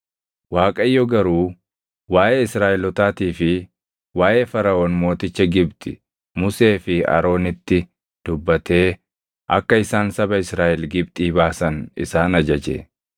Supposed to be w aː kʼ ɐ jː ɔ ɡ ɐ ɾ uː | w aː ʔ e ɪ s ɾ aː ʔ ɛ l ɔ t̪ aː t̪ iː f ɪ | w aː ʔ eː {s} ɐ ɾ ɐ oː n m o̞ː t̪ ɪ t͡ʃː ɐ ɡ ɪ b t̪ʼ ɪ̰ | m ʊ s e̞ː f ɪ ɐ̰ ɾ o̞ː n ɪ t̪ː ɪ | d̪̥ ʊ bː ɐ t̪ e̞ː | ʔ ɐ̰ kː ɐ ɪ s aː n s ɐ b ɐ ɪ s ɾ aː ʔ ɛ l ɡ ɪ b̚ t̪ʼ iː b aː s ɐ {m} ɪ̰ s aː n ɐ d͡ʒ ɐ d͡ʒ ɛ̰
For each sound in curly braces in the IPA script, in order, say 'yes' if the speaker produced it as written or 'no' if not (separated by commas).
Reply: no, no